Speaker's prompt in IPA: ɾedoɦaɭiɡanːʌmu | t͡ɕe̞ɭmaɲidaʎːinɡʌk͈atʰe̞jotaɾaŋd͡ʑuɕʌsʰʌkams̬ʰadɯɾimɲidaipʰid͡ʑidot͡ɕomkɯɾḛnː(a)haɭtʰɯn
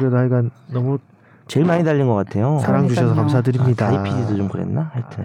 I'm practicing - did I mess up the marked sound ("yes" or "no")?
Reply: no